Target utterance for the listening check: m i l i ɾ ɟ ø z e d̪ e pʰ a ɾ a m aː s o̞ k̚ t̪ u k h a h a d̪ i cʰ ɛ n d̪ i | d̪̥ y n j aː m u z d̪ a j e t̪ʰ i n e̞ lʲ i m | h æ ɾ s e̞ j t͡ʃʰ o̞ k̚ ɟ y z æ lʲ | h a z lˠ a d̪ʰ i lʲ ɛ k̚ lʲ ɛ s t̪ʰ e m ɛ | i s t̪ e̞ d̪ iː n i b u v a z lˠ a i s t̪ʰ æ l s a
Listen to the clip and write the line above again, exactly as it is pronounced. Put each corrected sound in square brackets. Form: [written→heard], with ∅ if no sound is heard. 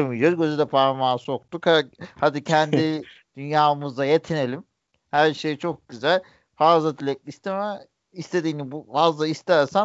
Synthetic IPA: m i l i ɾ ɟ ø z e d̪ [e→ɛ] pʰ a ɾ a m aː s o̞ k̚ t̪ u k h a h a d̪ i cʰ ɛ n d̪ i | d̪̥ y n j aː m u z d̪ a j e t̪ʰ i n e̞ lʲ i m | h æ ɾ [s→ʃ] e̞ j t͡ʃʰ o̞ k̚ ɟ y z æ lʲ | [h→f] a z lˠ a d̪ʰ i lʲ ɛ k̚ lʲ [ɛ→i] s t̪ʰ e m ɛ | i s t̪ e̞ d̪ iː n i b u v a z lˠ a i s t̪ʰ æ [l→ɾ] s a